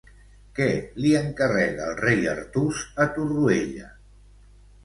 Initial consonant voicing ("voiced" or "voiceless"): voiceless